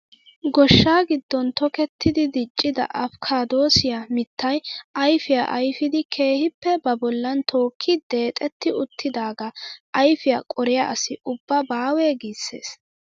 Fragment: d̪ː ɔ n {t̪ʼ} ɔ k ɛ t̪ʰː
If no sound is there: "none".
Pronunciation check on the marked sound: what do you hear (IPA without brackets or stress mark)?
t̪